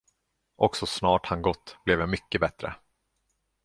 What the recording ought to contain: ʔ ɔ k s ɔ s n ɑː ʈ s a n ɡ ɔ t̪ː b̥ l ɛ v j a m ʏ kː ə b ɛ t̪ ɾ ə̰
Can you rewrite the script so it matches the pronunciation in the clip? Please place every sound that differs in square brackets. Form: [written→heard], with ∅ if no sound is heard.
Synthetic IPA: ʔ ɔ k s ɔ s n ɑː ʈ [s→h] a n ɡ ɔ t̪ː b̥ l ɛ v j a m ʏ kː ə b ɛ t̪ ɾ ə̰